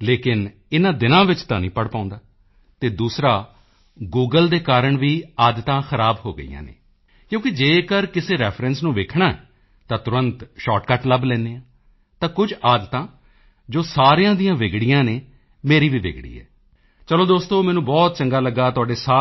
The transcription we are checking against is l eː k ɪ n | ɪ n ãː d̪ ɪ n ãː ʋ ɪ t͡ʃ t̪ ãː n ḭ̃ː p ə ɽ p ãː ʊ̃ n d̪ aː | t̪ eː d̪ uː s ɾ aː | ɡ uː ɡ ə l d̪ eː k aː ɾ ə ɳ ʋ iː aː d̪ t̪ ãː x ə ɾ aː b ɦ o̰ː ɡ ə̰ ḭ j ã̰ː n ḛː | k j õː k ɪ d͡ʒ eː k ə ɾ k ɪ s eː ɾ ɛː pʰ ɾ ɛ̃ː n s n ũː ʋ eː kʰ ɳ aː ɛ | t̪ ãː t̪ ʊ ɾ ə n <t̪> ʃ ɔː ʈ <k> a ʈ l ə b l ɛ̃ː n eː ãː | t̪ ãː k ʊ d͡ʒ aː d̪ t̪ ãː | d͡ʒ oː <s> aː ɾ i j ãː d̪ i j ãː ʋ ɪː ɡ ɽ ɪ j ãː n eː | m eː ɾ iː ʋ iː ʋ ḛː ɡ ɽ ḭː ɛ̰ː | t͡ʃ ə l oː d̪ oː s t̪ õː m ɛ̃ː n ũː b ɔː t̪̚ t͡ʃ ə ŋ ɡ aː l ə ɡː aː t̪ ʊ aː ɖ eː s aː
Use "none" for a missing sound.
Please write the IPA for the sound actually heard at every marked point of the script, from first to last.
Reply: t̪, k, s

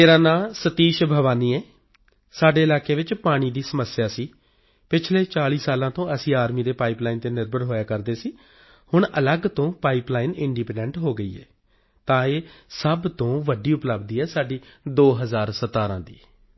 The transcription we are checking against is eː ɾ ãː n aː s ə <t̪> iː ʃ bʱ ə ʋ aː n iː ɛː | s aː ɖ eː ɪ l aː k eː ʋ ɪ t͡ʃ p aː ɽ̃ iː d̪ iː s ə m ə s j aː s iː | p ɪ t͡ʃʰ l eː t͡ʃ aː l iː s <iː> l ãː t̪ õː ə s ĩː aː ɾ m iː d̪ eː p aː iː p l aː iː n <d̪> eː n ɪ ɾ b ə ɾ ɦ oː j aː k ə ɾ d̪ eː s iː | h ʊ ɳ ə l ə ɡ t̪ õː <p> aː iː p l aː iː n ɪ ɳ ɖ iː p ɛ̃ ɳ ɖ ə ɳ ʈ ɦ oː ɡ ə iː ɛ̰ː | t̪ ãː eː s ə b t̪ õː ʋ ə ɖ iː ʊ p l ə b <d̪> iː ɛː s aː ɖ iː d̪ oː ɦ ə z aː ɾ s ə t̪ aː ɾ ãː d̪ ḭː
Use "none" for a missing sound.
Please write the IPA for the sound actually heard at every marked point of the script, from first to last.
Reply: t̪, aː, t̪, p, d̪

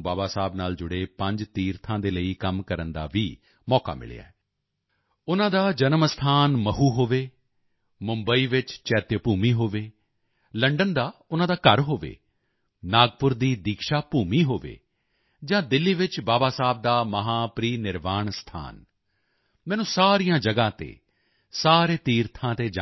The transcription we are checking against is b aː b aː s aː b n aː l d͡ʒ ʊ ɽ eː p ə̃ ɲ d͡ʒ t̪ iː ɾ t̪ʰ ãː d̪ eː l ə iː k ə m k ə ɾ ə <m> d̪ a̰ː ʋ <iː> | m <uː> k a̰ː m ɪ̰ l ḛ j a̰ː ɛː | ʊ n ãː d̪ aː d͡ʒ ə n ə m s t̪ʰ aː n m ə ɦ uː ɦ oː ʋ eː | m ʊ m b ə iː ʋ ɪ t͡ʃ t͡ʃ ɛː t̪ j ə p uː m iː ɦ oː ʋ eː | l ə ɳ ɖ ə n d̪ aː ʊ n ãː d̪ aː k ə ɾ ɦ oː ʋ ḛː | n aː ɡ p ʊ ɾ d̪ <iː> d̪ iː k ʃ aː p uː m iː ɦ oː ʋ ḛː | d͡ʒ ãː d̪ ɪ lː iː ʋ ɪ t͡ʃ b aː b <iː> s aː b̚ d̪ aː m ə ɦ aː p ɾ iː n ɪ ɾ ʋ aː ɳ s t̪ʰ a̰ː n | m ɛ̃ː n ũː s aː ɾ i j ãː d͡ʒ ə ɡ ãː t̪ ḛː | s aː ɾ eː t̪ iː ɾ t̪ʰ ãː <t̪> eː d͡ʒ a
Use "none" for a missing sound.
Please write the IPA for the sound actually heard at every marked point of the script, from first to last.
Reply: n, iː, ɔː, iː, aː, t̪

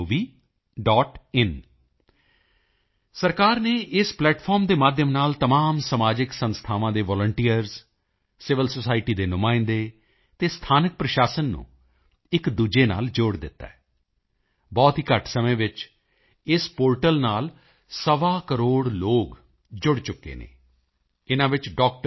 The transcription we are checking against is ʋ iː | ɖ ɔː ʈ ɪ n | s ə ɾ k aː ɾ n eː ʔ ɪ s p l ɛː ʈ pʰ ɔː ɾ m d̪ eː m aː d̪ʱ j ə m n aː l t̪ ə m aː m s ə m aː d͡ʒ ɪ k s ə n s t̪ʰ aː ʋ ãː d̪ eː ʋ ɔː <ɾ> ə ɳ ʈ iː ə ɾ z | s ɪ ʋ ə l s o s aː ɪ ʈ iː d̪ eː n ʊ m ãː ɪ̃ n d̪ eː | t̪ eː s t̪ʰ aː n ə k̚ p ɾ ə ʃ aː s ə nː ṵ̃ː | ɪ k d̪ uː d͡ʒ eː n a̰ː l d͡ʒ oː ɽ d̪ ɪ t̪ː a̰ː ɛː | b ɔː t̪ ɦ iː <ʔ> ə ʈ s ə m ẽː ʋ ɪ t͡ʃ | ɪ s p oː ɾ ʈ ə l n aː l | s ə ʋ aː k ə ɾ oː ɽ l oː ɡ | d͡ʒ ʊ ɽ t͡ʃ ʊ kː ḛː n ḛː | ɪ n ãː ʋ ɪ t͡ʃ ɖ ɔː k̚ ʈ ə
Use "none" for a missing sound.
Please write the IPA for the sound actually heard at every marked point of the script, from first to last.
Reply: l, k

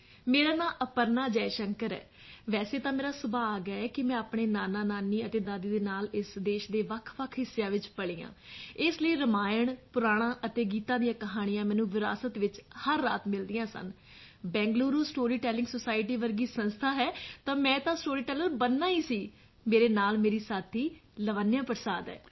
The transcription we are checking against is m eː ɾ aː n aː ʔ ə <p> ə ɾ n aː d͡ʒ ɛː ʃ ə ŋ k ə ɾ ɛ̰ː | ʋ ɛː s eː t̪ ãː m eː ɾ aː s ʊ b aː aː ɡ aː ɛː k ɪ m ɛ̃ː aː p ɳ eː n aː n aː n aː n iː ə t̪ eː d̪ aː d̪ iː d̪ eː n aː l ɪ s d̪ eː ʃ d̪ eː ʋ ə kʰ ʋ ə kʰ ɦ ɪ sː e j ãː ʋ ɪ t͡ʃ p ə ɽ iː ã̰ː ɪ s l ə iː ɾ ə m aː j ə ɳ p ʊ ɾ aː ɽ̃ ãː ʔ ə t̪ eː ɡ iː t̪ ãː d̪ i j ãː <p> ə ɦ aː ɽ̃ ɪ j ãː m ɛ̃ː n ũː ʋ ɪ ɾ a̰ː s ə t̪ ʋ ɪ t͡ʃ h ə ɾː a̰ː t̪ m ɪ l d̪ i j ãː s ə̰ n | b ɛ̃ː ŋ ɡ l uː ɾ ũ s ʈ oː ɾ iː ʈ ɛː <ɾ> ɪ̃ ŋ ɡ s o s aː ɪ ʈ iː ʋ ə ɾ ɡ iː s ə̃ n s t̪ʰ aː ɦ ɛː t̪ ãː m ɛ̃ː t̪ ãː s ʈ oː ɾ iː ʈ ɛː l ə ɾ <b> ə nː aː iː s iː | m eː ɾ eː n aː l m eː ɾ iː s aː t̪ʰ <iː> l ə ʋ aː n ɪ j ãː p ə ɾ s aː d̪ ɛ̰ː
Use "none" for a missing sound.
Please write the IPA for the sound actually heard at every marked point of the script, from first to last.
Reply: p, k, l, b, iː

